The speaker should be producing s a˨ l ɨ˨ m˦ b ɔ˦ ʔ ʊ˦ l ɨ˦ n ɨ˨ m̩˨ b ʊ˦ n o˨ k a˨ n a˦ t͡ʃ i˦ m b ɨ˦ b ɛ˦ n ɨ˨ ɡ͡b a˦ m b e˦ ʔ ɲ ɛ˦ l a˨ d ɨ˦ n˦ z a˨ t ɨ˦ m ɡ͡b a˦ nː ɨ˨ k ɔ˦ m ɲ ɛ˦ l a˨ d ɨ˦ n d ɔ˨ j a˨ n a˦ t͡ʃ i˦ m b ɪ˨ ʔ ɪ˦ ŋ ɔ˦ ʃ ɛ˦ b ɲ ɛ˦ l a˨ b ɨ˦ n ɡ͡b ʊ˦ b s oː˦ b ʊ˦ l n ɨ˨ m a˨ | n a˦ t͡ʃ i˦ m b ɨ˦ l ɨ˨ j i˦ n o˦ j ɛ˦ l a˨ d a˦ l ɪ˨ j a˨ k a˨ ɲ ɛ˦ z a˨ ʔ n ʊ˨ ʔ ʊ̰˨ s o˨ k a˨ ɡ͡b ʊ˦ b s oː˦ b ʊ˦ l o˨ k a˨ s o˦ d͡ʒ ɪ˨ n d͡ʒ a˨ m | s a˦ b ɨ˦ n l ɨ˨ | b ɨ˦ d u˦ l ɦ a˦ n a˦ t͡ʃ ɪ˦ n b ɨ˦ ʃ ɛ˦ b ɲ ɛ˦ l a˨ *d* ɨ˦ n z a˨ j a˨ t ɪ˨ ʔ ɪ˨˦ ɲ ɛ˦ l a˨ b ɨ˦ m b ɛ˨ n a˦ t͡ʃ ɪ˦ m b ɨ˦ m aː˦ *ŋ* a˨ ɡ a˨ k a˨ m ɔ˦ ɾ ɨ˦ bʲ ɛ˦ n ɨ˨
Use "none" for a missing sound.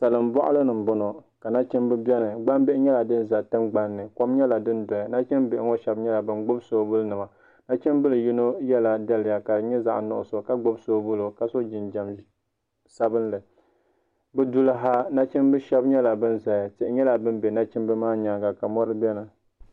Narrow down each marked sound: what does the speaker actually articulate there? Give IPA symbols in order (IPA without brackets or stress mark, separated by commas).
b, ɲ